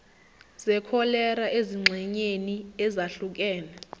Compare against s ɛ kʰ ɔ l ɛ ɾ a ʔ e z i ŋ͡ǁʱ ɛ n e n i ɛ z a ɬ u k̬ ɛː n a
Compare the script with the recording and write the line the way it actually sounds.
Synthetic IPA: z ɛ kʰ ɔ l ɛ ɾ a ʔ e z i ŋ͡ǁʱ ɛ ɲ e n i ɛ z a ɬ u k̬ ɛː n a